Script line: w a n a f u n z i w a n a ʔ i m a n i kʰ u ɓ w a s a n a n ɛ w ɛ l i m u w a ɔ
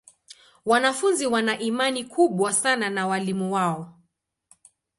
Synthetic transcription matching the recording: w a n a f u n z i w a n a ʔ i m a n i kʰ u ɓ w a s a n a n a w a l i m u w a ɔ